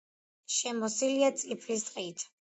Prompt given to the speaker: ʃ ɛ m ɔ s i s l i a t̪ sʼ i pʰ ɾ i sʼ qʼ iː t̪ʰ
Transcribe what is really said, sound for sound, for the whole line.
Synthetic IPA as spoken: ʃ ɛ m ɔ s i l i a t̪ sʼ i pʰ l i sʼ qʼ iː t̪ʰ